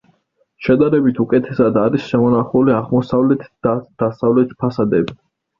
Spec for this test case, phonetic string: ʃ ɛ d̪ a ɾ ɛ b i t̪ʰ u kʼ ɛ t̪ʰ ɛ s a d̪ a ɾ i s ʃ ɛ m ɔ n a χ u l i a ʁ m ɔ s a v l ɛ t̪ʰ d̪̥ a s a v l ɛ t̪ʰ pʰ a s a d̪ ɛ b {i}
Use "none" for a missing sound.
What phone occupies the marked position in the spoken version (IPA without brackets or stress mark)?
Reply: i